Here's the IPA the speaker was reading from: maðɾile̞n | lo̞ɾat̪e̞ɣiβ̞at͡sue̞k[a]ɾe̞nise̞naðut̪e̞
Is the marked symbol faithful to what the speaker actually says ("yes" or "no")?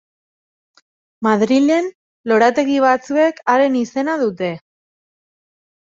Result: yes